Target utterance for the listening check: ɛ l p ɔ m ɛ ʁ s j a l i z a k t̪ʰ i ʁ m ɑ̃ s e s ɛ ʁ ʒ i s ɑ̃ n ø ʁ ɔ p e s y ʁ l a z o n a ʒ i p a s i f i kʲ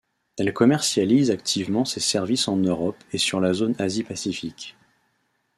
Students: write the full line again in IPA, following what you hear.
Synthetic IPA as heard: ɛ l k ɔ m ɛ ʁ s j a l i z a k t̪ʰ i v m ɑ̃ s e s ɛ ʁ v i s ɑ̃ n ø ʁ ɔ p e s y ʁ l a z o n a z i p a s i f i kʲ